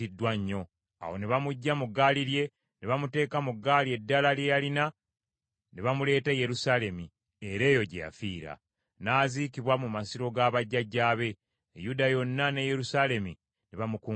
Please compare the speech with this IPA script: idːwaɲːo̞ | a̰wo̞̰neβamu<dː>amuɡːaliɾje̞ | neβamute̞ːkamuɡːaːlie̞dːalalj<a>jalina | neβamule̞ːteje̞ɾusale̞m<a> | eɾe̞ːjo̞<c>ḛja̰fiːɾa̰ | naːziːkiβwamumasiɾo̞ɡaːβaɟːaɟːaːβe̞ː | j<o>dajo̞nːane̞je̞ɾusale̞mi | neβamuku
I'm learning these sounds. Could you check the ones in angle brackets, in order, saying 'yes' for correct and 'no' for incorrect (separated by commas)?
no, no, no, no, no